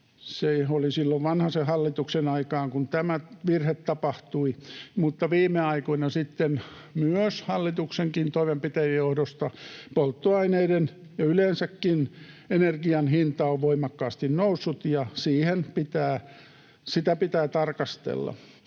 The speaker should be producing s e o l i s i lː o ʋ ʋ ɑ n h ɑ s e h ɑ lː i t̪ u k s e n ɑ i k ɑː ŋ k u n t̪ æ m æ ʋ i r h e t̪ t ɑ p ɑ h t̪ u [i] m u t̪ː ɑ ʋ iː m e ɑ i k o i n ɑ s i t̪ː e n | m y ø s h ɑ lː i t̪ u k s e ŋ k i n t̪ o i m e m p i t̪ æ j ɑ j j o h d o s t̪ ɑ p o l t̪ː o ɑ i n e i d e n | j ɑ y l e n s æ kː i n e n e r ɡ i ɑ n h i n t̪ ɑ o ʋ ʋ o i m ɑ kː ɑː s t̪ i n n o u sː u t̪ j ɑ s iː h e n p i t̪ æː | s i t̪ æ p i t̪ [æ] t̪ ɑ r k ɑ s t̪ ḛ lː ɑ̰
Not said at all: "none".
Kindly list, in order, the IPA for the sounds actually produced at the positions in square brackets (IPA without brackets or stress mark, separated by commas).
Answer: i, æː